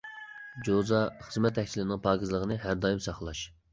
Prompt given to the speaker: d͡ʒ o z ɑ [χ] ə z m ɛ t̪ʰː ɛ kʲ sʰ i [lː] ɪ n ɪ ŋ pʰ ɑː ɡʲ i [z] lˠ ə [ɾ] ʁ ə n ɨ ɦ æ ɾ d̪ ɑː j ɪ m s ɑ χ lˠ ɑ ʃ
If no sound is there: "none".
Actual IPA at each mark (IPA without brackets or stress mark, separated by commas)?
χ, l, z, none